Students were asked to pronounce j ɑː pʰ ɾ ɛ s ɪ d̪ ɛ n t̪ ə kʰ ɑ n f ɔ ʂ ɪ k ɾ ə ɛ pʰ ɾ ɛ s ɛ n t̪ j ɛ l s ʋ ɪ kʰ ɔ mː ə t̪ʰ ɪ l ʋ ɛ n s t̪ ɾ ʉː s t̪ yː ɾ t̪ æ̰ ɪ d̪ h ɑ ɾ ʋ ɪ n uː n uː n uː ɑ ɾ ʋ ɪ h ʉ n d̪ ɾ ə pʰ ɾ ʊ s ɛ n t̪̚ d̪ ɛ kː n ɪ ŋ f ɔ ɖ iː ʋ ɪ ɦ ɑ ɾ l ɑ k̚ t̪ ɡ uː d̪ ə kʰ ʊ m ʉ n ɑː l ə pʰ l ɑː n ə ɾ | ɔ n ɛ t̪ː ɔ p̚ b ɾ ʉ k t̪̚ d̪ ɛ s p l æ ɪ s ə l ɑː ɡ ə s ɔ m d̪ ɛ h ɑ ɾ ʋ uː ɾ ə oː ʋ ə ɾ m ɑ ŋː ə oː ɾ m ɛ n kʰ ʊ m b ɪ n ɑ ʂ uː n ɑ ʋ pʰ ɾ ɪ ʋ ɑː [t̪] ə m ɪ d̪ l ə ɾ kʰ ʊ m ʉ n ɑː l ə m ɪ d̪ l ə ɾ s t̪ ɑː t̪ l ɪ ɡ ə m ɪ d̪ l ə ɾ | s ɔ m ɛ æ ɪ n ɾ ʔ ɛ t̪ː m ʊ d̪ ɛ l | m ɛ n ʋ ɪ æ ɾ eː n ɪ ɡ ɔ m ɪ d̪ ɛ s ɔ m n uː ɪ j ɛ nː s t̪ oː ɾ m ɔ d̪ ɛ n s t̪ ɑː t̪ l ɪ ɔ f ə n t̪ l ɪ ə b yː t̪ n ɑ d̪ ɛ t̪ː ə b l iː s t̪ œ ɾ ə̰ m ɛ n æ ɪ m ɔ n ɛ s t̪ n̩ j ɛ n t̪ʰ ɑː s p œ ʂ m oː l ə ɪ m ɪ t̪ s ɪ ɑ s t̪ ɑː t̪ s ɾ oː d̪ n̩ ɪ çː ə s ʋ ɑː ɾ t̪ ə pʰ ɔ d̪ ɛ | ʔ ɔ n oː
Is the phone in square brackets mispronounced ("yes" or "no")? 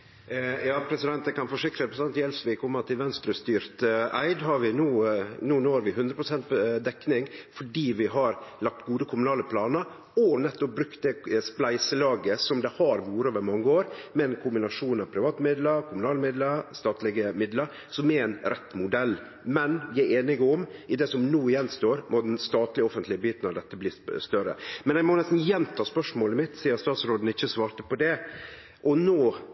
no